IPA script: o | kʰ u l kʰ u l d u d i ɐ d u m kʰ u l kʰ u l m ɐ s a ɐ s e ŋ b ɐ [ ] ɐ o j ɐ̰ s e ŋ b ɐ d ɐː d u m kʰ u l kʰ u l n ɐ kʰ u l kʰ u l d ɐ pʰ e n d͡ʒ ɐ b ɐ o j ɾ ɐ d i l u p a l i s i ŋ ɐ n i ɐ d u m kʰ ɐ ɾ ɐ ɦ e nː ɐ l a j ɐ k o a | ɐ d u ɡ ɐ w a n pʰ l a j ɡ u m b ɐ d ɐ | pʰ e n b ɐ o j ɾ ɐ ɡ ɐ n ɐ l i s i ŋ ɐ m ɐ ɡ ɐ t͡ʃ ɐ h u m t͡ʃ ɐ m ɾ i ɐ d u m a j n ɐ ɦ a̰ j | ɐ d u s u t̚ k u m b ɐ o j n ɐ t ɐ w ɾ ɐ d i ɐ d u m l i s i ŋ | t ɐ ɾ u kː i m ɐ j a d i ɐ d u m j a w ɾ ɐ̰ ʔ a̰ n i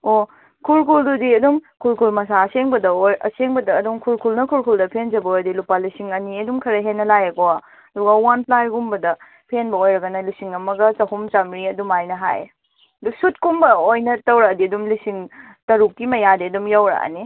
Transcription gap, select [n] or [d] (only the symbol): d